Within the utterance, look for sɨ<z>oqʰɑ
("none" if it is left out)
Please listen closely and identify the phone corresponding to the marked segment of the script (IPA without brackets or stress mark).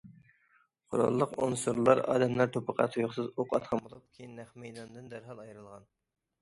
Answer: z